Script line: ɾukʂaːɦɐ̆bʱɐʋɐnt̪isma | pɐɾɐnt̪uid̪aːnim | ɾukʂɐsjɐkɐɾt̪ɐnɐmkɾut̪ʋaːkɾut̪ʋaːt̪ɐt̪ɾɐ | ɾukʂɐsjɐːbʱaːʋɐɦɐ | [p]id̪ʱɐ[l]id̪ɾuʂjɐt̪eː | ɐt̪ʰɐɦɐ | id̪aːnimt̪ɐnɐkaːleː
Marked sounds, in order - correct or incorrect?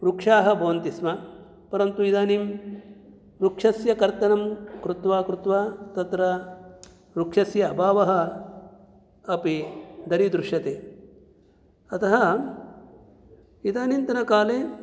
correct, incorrect

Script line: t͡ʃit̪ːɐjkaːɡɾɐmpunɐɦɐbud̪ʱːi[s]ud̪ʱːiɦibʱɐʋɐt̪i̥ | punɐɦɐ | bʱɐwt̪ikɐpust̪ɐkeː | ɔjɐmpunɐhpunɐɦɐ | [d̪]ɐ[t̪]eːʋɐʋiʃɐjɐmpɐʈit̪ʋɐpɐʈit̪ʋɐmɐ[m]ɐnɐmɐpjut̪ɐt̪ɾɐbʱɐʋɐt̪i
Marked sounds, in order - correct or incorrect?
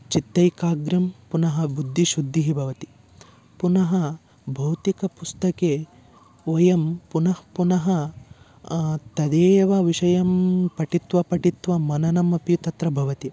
incorrect, incorrect, incorrect, incorrect

